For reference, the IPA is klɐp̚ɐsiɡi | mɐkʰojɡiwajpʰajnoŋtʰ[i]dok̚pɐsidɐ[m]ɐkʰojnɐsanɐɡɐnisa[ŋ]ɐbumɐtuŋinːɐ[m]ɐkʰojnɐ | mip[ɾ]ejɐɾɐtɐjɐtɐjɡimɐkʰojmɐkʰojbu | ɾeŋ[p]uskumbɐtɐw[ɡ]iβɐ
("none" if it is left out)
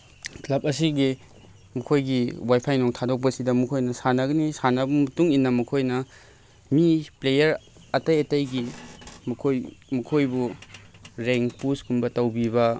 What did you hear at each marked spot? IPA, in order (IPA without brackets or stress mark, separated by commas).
a, m, n, m, l, p, b